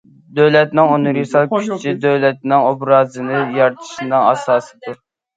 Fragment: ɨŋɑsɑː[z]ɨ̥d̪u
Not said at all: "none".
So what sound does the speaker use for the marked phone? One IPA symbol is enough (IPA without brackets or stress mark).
s